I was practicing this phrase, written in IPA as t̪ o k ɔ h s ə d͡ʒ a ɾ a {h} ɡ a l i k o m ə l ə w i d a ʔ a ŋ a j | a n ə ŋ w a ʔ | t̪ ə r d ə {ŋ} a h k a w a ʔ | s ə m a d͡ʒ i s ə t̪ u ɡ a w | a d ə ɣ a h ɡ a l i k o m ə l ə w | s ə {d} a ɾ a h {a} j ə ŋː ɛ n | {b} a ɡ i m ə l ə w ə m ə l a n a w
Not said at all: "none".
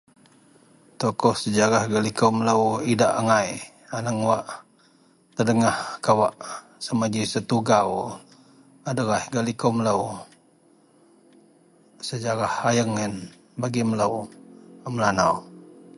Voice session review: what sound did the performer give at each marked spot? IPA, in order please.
h, ŋ, d͡ʒ, a, b

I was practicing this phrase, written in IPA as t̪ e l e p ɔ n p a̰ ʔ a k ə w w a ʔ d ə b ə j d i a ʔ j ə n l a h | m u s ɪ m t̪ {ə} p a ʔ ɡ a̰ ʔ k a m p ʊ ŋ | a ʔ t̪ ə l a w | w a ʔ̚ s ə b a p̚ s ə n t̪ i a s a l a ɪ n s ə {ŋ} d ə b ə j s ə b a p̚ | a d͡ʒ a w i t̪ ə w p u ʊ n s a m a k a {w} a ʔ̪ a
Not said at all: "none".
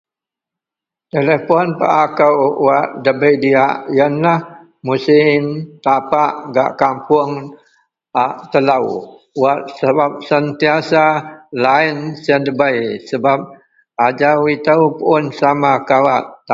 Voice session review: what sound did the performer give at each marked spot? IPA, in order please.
a, n, w

